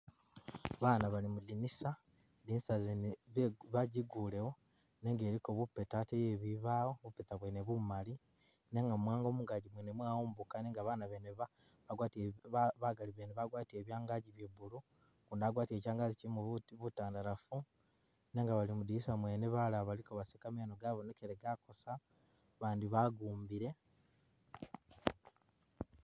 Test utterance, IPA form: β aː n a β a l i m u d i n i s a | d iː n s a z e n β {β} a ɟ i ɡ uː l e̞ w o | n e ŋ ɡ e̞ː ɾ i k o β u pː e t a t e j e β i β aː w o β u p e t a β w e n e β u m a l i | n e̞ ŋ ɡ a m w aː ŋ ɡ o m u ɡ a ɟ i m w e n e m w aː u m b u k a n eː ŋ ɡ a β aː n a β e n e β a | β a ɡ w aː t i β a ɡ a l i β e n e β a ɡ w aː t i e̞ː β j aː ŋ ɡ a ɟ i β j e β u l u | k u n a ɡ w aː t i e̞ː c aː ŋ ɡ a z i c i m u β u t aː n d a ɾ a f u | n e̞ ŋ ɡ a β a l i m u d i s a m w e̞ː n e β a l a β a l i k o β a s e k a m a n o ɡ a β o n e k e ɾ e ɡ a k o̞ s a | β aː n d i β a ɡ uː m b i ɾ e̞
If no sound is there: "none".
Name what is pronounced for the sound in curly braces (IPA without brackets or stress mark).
β